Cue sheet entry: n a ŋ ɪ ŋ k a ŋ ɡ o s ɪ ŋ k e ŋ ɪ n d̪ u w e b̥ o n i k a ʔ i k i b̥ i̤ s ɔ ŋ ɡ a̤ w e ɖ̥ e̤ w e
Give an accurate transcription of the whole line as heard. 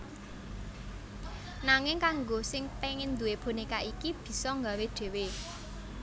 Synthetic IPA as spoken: n a ŋ ɪ ŋ k a ŋ ɡ o s ɪ ŋ p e ŋ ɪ n d̪ u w e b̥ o n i k a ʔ i k i b̥ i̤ s ɔ ŋ ɡ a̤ w e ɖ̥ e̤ w e